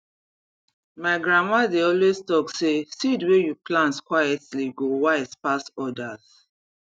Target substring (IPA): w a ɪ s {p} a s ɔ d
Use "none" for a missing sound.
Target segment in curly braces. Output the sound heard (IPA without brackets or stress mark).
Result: p